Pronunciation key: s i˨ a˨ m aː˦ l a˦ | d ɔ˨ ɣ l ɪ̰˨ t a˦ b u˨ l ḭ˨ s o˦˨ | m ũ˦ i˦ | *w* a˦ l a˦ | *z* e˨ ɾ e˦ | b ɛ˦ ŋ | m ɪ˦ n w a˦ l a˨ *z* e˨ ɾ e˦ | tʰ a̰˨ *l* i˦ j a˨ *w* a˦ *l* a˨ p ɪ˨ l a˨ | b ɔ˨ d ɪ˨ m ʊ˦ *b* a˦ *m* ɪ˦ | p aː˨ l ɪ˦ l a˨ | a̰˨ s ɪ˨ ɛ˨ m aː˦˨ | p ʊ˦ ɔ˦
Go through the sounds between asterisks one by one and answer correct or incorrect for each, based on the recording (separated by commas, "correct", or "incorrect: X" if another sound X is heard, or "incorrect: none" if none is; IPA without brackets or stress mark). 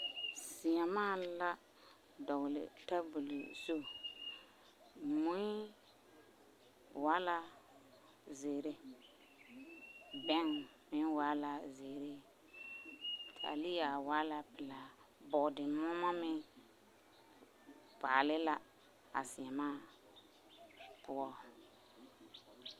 correct, correct, correct, correct, correct, correct, incorrect: m, correct